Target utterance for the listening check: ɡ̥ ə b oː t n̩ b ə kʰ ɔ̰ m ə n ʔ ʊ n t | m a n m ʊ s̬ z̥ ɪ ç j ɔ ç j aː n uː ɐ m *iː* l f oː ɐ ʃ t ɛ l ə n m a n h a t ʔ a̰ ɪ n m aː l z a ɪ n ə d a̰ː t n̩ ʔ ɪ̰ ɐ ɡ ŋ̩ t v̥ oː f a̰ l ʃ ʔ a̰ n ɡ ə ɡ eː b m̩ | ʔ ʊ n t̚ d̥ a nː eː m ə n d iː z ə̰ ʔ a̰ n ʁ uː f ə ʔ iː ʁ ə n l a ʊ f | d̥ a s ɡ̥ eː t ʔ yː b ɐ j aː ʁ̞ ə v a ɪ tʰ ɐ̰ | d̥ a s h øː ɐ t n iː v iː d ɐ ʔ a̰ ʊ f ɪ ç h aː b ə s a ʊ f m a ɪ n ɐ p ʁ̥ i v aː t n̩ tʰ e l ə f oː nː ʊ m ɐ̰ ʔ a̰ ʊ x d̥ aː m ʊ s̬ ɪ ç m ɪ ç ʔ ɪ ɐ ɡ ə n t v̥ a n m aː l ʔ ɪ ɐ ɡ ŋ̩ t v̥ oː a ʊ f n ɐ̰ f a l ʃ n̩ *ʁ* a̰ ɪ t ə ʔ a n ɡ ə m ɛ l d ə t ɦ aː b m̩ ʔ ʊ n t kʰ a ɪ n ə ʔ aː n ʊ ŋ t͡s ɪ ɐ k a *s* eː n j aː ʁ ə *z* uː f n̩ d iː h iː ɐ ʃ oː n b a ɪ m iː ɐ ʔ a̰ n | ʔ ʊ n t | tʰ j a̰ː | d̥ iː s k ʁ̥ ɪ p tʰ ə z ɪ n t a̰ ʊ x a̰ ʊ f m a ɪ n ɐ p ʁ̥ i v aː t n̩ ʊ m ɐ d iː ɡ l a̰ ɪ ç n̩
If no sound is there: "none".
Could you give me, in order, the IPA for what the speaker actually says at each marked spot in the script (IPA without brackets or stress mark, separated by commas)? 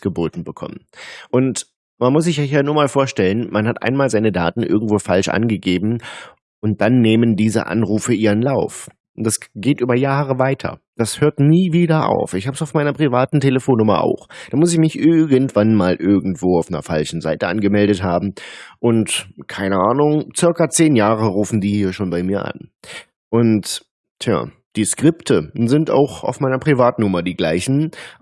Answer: aː, z, t͡s, ʁ